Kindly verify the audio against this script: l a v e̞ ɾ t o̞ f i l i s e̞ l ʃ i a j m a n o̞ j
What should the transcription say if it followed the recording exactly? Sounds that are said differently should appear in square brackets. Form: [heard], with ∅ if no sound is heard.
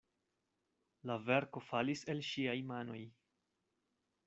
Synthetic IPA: l a v e̞ ɾ [k] o̞ f [a] l i s e̞ l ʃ i a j m a n o̞ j